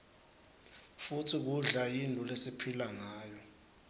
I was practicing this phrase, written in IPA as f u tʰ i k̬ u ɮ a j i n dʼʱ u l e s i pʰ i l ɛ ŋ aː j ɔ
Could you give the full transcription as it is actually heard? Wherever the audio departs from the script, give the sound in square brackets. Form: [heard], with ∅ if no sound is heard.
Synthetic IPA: f u tʰ i k̬ u ɮ a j i n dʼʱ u l e s i pʰ i l [a] ŋ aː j ɔ

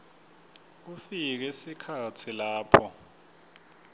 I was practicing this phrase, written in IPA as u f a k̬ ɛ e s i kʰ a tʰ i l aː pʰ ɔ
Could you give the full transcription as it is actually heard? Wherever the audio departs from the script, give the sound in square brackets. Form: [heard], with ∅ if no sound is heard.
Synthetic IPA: u f [i] k̬ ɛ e s i kʰ a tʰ i l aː pʰ ɔ

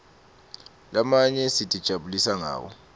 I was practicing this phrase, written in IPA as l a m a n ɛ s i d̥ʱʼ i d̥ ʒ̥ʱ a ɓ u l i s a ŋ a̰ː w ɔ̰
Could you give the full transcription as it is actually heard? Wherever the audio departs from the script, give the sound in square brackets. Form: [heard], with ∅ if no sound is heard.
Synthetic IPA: l a m a [ɲ] ɛ s i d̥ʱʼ i d̥ ʒ̥ʱ a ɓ u l i s a ŋ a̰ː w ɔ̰

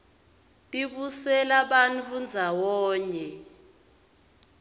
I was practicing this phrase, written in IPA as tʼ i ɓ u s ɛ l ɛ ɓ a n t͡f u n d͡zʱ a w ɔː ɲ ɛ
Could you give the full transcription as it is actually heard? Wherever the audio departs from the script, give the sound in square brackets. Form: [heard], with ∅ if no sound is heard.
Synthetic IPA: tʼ i ɓ u s ɛ l [a] ɓ a n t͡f u n d͡zʱ a w ɔː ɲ ɛ

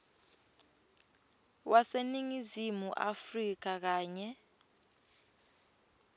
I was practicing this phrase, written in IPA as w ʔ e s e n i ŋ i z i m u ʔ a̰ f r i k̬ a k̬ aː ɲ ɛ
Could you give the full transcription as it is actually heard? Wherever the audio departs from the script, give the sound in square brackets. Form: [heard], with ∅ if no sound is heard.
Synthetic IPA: w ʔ [a] s e n i ŋ i z i m u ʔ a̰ f r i k̬ a k̬ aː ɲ ɛ

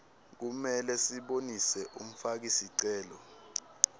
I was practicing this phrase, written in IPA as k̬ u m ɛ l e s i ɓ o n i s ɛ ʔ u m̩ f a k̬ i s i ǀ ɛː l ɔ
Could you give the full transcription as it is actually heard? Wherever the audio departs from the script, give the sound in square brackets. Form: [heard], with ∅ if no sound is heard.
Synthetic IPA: k̬ u m ɛ l [ɛ] s i ɓ o n i s ɛ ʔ u m̩ f a k̬ i s i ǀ ɛː l ɔ

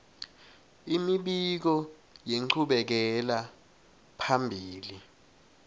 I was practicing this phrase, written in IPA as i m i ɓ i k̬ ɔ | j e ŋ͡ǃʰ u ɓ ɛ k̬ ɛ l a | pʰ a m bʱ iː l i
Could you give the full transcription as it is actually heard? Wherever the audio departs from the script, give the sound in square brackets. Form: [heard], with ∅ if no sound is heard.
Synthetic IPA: i m i ɓ i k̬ ɔ | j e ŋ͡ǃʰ u ɓ ɛ k̬ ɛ l a | pʰ a m bʱ iː l i

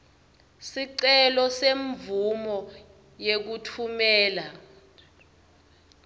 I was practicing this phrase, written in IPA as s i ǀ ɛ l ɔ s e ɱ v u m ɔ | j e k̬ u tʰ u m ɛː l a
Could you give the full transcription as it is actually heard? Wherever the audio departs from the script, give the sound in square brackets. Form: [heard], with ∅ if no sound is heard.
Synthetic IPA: s i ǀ ɛ l ɔ s e ɱ v u m ɔ | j e k̬ u tʰ u m ɛː l a

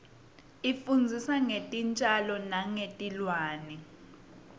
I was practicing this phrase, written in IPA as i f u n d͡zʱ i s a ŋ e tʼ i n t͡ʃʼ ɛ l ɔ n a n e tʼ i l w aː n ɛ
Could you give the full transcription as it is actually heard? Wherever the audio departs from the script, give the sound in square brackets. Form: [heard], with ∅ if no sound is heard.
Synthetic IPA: i f u n d͡zʱ i s a ŋ e tʼ i n t͡ʃʼ [a] l ɔ n a [ŋ] e tʼ i l w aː n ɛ

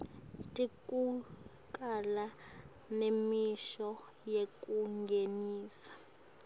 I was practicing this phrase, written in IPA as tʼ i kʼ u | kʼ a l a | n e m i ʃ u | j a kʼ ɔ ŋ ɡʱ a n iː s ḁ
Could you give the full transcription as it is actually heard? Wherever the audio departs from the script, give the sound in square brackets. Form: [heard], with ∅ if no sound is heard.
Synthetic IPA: tʼ i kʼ u | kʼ a l a | n e m i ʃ [ɔ] | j [e] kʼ [u] ŋ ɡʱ [e] n iː s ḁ

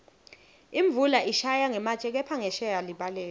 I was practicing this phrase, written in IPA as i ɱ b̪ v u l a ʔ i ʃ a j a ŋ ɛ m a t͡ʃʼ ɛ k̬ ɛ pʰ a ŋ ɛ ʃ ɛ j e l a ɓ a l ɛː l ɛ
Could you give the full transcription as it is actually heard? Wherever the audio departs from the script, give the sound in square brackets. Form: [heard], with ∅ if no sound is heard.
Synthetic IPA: i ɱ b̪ v u l a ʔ i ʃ a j a ŋ ɛ m a t͡ʃʼ ɛ k̬ ɛ pʰ a ŋ ɛ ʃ ɛ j [a] l [i] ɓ a l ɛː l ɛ

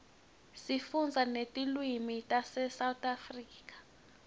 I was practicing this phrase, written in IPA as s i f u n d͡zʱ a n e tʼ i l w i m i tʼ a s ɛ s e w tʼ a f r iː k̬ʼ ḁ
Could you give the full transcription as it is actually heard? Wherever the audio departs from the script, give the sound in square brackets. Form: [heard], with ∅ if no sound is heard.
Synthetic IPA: s i f u n d͡zʱ a n e tʼ i l w i m i tʼ a s ɛ s [a] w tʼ a f r iː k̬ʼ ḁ

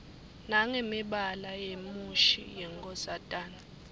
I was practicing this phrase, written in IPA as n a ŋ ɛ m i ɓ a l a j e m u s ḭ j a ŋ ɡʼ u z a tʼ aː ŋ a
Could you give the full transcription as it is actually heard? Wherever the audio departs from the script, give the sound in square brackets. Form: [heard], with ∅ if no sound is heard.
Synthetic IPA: n a ŋ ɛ m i ɓ a l a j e m u [ʃ] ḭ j [ɛ] ŋ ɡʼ [ɔ] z a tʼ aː [n] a

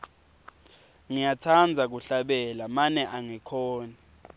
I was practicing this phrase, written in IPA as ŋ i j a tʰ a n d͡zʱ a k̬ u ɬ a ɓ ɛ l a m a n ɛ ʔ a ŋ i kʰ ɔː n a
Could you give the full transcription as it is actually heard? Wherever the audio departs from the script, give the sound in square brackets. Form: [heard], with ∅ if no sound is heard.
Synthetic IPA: ŋ i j a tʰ a n d͡zʱ a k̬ u ɬ a ɓ ɛ l a m a n ɛ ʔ a ŋ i kʰ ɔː n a

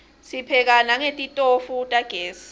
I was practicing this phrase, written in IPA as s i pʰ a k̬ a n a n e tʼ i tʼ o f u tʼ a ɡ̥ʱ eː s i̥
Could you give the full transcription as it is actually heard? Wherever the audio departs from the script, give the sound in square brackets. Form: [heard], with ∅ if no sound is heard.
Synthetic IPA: s i pʰ [ɛ] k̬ a n a [ŋ] e tʼ i tʼ o f u tʼ a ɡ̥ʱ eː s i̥

